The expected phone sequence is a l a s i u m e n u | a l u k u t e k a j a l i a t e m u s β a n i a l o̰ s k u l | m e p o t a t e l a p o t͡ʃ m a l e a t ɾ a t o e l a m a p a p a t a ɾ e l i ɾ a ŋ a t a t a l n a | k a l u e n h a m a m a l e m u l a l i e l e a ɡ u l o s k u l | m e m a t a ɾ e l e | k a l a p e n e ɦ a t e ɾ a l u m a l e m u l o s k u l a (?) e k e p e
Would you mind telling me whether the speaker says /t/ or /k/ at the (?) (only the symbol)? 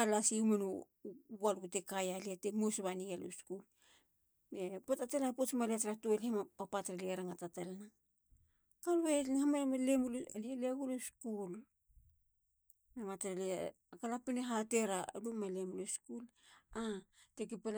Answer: t